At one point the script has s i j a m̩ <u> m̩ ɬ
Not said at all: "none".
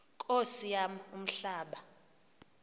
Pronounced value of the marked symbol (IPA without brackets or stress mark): u